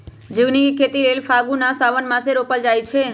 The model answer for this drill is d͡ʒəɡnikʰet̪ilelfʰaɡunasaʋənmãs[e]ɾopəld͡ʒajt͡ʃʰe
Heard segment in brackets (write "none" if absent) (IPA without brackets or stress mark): e